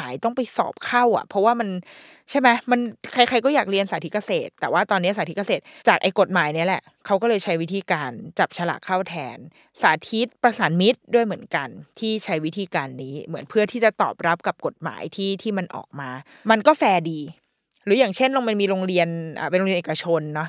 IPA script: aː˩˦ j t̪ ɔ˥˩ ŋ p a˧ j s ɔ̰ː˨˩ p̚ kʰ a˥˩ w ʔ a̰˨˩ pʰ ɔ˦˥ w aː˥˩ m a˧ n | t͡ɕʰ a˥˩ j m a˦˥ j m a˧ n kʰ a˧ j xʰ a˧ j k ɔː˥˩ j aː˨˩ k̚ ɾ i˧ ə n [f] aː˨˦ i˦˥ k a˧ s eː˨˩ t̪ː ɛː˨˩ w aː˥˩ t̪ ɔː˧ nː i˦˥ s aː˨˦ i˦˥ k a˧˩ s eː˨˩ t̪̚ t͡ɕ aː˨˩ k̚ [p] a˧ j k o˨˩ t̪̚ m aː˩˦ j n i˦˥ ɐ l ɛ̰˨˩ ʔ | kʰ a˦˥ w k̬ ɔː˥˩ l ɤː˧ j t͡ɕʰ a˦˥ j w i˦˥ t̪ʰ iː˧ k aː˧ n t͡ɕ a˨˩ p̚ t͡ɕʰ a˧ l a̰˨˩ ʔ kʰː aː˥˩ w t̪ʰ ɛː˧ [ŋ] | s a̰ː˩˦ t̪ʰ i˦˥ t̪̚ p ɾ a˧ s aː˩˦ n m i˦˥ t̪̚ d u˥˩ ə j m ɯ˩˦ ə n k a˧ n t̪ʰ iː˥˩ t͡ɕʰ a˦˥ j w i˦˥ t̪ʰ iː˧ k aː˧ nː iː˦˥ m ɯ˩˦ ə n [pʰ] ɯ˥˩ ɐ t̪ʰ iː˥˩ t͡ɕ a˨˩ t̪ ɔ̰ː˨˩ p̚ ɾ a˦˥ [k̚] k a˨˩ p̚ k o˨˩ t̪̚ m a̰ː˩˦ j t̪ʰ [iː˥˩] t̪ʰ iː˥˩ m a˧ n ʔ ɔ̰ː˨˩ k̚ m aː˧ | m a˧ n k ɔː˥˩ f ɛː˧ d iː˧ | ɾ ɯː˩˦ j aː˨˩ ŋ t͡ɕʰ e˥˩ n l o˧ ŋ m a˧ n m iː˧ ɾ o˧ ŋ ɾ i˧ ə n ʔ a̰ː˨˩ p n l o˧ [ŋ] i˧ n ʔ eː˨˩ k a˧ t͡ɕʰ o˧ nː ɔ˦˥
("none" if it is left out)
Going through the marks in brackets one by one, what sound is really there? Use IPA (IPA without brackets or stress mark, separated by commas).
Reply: s, ʔ, n, pʰ, p̚, iː˥˩, ŋ